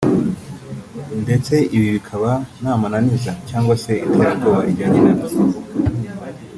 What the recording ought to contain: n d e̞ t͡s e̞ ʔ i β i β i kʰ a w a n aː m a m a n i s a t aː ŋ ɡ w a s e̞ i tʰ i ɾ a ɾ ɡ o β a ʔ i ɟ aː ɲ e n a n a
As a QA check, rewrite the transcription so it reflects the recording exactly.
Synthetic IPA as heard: n d e̞ t͡s e̞ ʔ i β i β i kʰ a β a n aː m a n a n i z a c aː ŋ ɡ w a s e̞ i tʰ a ɾ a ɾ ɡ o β a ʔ i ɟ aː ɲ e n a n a